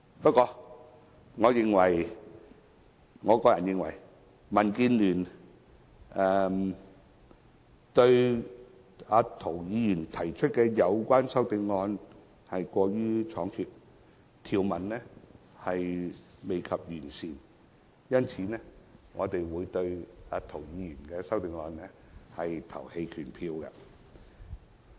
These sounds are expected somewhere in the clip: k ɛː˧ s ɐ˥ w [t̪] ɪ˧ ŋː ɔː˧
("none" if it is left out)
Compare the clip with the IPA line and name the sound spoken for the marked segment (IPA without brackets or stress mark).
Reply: t̪